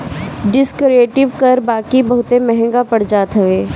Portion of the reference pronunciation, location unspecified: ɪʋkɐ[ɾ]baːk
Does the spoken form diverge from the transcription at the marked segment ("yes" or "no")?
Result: no